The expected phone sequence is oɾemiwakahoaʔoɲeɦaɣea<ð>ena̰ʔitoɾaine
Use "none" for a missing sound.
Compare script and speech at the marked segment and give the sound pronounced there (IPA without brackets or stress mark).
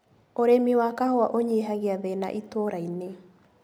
ð